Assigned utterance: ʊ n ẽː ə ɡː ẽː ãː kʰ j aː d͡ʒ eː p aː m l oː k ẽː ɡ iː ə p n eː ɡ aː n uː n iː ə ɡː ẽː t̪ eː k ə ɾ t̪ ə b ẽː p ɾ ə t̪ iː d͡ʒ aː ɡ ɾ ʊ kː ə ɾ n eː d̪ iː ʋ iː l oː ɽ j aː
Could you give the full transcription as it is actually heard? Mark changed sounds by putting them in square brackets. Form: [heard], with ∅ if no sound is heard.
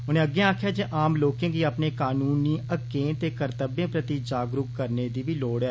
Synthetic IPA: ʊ n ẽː ə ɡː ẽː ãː kʰ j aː d͡ʒ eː [ʔ] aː m l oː k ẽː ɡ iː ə p n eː [k] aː n uː n iː ə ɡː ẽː t̪ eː k ə ɾ t̪ ə b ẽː p ɾ ə t̪ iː d͡ʒ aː ɡ ɾ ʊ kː ə ɾ n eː d̪ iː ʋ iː l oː ɽ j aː